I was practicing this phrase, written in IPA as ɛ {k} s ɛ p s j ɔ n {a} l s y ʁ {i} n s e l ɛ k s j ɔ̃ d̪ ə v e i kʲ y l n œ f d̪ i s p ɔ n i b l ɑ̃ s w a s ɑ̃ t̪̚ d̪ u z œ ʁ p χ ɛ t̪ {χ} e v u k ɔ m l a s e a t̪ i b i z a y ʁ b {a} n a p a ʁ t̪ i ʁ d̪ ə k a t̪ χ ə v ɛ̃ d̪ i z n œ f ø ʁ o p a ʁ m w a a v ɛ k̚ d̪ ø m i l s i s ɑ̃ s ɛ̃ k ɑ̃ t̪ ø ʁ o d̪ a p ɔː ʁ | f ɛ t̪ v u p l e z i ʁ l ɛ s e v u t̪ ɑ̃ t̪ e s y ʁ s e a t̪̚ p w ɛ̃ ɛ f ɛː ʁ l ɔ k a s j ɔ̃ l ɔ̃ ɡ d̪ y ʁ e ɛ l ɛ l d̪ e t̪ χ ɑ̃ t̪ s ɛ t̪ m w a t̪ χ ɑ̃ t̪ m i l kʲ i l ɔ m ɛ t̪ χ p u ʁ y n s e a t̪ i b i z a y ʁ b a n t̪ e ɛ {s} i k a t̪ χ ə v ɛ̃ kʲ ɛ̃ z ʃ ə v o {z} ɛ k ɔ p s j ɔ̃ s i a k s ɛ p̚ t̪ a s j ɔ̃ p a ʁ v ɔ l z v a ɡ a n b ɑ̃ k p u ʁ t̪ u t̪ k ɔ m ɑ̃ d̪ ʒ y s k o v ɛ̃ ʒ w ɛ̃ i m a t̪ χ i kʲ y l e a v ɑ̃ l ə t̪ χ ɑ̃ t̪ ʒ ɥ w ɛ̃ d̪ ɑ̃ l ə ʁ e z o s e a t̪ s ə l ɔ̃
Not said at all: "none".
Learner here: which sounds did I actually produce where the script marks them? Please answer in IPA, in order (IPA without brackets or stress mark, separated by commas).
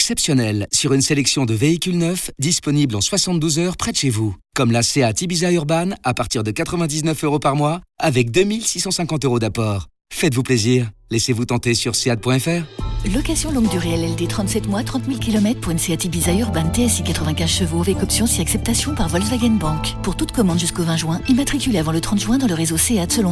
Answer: k, ɛ, y, ʃ, a, s, v